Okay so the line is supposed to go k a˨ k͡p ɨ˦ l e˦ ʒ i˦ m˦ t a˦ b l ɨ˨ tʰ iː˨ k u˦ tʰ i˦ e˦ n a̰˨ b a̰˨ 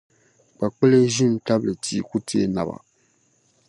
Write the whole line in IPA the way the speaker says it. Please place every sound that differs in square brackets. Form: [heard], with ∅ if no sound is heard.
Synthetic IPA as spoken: [k͡p] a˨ k͡p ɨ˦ l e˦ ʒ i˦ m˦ t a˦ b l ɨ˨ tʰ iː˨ k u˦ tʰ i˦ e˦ n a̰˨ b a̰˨